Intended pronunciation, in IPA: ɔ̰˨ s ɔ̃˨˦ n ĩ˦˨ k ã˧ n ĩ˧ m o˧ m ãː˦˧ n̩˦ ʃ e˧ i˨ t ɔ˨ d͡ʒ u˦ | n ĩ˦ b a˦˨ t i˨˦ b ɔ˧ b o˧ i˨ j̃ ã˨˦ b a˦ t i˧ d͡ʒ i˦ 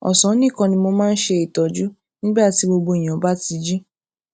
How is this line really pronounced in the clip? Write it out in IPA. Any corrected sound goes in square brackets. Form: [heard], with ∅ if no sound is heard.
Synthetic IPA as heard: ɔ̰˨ s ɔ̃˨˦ n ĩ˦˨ k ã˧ n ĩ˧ m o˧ m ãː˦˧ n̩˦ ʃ e˧ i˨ t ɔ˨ d͡ʒ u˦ | n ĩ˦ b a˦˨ t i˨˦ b [o˧] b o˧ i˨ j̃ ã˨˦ b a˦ t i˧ d͡ʒ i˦